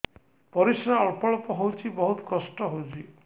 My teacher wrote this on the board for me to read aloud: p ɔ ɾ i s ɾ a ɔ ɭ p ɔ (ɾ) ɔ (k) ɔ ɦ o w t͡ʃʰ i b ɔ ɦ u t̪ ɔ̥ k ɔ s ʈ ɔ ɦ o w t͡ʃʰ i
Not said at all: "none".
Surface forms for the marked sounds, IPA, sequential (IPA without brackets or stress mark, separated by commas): ɭ, p